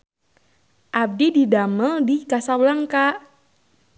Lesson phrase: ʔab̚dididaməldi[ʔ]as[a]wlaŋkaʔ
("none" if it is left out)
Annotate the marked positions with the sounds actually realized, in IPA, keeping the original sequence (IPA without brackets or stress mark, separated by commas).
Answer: k, a